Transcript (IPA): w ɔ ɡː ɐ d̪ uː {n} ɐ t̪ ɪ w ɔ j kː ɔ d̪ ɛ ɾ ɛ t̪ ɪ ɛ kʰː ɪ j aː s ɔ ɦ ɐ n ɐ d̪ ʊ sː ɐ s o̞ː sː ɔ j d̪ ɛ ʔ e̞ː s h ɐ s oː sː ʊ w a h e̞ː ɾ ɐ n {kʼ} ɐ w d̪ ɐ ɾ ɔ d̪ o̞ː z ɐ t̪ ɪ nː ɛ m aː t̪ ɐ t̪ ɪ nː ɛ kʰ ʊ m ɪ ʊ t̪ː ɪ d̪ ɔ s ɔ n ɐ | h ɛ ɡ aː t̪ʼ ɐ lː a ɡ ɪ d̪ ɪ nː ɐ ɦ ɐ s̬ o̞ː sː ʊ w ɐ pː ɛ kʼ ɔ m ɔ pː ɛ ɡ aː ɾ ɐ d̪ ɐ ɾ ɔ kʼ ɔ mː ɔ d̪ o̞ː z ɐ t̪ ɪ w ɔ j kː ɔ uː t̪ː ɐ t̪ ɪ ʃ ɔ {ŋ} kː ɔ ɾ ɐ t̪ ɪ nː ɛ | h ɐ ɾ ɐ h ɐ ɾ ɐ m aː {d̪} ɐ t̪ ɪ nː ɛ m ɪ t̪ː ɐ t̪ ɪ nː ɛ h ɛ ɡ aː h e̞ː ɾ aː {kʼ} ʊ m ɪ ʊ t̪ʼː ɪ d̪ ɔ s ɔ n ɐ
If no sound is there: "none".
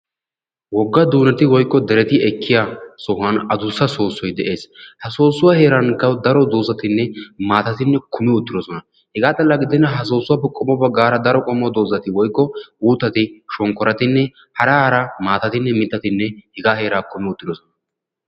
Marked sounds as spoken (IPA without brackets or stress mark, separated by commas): n, k, ŋ, t̪, k